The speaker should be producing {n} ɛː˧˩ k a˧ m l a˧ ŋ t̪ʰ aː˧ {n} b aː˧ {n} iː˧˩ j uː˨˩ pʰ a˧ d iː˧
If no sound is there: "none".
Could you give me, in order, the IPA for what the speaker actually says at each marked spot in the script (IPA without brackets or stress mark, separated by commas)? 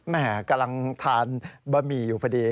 m, n, m